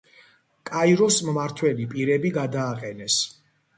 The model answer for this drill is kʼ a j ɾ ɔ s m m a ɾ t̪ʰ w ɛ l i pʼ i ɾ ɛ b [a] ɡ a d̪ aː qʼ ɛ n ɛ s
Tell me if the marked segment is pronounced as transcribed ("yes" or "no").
no